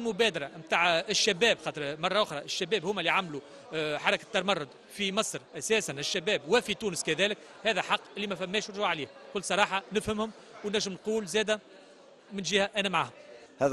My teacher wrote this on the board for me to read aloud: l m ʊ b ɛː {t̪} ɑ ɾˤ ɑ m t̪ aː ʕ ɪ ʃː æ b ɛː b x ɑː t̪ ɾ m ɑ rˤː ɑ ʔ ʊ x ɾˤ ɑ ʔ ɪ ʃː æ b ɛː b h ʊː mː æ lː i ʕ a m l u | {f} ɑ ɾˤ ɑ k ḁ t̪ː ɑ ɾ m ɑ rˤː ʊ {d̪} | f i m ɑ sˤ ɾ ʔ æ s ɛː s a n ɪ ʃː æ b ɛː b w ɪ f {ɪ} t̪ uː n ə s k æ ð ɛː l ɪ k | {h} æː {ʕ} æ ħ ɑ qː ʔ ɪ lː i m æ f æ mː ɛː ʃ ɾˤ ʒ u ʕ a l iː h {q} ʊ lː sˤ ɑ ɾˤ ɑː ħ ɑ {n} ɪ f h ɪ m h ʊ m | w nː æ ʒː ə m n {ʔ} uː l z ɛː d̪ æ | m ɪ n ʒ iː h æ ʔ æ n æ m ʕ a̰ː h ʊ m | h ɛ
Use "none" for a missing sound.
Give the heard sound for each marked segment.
d̪, ħ, d̪, i, h, ð, k, n, q

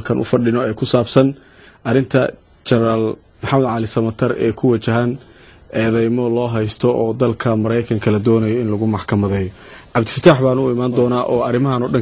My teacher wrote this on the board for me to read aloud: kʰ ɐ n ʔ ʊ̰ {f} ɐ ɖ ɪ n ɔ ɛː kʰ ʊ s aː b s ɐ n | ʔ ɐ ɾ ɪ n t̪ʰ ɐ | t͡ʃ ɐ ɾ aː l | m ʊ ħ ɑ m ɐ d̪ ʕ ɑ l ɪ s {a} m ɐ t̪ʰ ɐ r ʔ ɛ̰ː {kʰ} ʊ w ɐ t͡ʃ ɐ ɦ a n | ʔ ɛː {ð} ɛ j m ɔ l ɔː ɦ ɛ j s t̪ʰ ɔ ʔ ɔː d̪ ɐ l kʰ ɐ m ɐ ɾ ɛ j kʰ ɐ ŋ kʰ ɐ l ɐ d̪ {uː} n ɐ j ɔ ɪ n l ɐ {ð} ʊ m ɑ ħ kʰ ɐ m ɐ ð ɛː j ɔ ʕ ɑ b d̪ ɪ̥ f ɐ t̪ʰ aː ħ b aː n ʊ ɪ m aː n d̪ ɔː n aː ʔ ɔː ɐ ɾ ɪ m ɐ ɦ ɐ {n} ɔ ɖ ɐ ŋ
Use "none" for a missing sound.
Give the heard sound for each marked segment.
f, ɐ, kʰ, ð, ɔː, ɣ, n

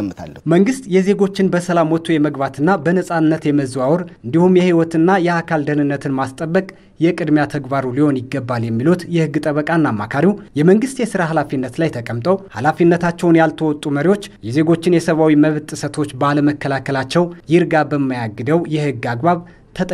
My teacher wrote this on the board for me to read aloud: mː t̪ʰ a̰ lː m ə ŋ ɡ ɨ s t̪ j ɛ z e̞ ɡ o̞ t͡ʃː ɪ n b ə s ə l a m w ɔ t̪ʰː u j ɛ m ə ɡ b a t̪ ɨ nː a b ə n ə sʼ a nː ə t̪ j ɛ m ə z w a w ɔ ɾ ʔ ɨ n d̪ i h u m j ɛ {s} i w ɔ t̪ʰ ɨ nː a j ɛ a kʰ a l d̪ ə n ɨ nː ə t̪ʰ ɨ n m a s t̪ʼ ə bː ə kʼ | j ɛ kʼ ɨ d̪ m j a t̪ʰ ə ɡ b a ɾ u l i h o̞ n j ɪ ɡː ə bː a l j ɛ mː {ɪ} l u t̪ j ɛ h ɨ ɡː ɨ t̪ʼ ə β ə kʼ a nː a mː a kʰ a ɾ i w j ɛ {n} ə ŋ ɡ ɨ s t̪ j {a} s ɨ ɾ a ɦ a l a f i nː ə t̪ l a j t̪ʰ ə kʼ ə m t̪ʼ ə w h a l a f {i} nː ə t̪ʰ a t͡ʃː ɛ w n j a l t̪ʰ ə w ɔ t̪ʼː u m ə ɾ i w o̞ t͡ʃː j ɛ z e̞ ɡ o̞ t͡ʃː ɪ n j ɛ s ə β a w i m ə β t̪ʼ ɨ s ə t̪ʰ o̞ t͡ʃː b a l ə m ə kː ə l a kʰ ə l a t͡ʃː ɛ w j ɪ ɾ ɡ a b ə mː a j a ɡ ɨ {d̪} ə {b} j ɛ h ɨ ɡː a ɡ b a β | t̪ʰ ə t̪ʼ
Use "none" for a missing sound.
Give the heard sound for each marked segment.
h, i, m, ɛ, i, d̪, w

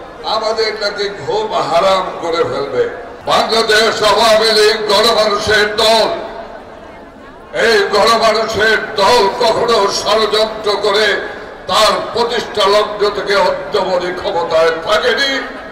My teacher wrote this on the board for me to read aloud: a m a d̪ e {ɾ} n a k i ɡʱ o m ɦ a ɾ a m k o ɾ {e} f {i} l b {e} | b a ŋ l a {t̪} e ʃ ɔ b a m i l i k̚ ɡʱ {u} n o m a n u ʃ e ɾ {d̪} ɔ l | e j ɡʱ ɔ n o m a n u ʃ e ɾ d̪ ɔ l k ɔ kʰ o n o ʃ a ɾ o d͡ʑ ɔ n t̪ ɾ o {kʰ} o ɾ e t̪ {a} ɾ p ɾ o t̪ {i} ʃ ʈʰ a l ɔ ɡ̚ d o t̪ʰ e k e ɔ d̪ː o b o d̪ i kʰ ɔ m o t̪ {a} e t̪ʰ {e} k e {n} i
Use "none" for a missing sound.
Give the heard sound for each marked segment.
ɾ, e, e, e, d̪, ɔ, d̪, k, a, i, a, a, n

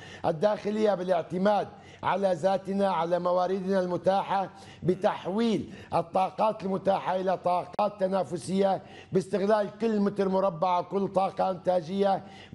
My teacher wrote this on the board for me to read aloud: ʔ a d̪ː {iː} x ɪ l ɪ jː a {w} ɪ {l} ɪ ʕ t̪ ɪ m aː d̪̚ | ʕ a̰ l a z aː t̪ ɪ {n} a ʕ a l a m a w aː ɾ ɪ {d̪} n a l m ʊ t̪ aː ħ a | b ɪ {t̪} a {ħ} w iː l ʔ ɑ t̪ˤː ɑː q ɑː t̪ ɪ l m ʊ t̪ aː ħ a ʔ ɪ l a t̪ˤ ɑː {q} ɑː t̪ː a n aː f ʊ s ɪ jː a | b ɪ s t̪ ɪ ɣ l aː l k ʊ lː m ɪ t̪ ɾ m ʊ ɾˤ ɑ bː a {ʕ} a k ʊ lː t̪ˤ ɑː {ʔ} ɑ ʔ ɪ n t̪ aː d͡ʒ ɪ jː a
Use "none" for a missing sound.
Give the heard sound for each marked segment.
aː, b, l, n, d̪, t̪, ħ, q, ʕ, q

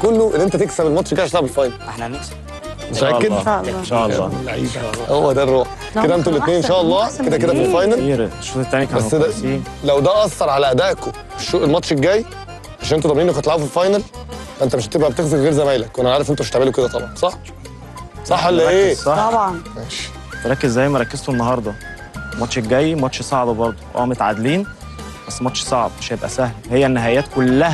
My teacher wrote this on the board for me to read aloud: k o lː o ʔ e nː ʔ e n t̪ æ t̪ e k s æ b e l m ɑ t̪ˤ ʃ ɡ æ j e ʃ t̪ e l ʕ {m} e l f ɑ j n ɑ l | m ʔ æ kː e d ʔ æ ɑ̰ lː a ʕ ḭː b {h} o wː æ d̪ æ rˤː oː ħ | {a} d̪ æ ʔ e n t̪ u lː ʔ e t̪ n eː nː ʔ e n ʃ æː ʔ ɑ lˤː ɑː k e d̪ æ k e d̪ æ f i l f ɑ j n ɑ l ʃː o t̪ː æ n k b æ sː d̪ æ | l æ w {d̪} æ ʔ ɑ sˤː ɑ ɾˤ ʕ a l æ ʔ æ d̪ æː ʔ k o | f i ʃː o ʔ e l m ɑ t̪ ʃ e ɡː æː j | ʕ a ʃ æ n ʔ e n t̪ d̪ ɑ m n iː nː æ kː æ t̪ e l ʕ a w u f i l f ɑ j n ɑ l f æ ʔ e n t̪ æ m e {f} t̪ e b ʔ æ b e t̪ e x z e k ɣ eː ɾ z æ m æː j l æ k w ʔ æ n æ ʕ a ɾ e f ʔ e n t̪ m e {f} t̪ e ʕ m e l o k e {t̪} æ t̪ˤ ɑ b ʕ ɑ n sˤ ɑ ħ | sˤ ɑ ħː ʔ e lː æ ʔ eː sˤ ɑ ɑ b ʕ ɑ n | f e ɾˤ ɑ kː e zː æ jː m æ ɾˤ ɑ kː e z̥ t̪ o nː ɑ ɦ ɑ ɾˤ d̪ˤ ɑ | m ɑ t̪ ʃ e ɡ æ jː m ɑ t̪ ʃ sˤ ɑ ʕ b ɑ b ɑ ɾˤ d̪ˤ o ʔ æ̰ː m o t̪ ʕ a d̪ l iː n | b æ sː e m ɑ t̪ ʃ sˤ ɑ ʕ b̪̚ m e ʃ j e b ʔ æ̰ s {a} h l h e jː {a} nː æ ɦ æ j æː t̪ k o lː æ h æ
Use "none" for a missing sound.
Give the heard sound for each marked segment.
b, h, e, d̪, ʃ, ʃ, d̪, æ, æ

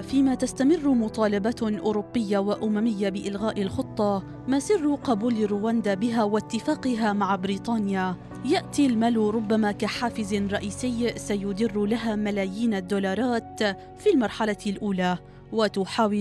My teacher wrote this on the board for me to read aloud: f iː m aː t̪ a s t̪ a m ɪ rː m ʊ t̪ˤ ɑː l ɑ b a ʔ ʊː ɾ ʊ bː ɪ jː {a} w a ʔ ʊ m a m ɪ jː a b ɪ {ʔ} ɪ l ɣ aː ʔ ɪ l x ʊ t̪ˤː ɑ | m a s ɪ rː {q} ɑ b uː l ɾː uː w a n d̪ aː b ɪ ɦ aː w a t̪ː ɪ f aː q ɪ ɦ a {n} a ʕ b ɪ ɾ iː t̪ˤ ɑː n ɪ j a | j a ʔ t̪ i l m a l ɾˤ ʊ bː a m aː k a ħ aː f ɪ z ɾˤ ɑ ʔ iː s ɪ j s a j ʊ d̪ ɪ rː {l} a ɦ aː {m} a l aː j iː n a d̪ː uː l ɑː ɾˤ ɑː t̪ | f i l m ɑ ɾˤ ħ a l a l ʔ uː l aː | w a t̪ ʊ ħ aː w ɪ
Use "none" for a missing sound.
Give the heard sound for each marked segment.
a, ʔ, q, m, l, m

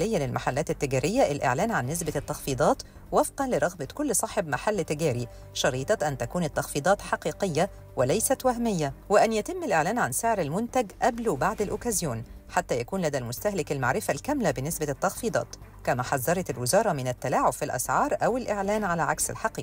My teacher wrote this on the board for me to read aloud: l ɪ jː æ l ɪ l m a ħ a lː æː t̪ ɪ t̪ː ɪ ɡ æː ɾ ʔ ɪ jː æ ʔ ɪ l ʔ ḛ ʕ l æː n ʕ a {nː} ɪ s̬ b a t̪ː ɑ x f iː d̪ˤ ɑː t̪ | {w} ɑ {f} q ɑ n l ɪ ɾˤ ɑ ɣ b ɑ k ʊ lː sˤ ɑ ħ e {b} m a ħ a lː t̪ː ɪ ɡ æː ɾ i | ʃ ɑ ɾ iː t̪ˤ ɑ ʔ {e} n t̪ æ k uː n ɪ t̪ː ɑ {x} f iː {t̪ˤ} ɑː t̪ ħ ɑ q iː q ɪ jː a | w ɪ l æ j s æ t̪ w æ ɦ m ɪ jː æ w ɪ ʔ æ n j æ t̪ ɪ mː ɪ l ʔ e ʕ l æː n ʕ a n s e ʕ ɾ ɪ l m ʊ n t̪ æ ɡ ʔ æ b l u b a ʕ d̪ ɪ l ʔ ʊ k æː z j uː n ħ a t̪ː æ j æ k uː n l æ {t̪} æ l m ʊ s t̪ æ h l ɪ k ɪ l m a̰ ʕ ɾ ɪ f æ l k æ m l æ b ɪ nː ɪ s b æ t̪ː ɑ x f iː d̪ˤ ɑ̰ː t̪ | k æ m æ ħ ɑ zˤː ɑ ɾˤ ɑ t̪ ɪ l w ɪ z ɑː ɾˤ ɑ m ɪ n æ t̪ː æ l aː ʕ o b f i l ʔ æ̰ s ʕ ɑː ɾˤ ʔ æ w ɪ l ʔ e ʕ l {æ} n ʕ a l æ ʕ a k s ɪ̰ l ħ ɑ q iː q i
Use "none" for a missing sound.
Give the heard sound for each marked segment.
nː, w, f, b, æ, x, d̪ˤ, d̪, æː

